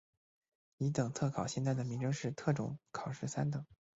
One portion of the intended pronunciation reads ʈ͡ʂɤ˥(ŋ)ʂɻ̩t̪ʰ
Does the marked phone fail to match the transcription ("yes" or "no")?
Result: no